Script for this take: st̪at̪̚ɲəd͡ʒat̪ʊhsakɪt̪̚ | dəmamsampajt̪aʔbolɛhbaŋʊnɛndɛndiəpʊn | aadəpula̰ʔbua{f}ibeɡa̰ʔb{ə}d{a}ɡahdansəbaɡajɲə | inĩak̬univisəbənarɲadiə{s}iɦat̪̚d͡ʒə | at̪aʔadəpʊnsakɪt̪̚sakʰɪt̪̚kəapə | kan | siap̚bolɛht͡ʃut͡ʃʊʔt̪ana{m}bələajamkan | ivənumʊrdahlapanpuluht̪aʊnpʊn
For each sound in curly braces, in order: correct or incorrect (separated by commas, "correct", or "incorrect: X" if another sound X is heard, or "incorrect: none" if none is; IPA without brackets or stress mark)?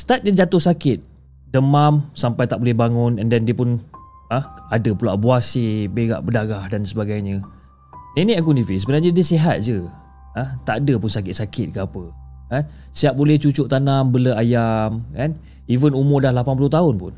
incorrect: s, correct, correct, correct, correct